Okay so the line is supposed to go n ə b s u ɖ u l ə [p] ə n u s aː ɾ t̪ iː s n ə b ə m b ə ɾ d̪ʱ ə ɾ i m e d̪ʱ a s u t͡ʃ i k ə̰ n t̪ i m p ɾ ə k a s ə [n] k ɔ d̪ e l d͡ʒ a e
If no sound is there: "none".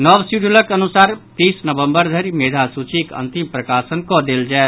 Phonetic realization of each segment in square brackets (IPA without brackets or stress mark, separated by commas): k, n